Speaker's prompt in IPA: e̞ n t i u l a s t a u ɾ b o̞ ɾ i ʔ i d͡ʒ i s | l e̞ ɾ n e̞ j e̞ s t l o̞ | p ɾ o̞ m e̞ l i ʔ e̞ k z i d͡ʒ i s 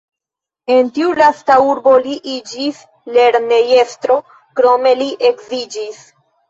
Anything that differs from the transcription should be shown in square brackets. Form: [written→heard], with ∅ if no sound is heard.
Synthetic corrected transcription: e̞ n t i u l a s t a u ɾ b o̞ [ɾ→l] i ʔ i d͡ʒ i s | l e̞ ɾ n e̞ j e̞ s t [l→ɾ] o̞ | [p→k] ɾ o̞ m e̞ l i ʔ e̞ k z i d͡ʒ i s